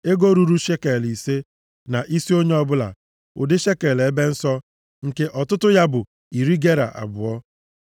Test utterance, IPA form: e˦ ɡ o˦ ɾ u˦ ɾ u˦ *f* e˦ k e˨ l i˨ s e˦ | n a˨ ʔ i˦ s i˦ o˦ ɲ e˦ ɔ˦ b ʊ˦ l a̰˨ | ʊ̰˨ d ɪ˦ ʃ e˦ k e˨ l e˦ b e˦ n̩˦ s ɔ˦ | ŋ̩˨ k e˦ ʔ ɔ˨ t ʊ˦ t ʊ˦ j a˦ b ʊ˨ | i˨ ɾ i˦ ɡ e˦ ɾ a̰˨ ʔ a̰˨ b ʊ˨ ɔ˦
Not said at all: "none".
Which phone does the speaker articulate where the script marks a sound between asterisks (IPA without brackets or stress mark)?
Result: ʃ